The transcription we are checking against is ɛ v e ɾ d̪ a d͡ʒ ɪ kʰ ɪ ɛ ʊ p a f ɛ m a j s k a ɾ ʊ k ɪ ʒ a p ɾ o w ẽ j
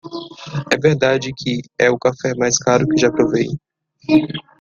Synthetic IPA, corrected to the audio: ɛ v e ɾ d̪ a d͡ʒ ɪ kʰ ɪ ɛ ʊ k a f ɛ m a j s k a ɾ ʊ k ɪ ʒ a p ɾ o v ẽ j